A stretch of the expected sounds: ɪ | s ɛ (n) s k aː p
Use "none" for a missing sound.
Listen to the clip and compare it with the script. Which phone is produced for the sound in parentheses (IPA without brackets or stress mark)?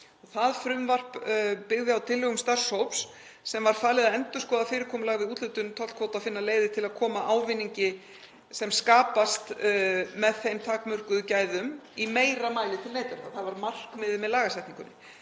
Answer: m